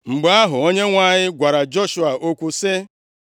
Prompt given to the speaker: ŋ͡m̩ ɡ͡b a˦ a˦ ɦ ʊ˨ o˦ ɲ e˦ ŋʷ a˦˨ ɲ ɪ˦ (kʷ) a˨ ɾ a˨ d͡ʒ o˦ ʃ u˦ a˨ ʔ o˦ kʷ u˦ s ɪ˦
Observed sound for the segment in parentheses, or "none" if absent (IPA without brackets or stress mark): ɡʷ